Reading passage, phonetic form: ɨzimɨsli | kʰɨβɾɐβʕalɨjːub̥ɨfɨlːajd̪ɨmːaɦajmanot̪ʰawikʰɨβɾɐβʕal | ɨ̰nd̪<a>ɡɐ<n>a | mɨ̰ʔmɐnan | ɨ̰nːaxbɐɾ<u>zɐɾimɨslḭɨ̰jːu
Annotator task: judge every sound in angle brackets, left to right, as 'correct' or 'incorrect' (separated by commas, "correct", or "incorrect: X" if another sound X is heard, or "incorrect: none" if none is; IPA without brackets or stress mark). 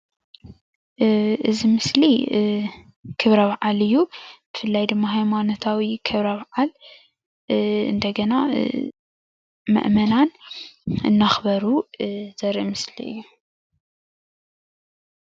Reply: incorrect: ɐ, correct, correct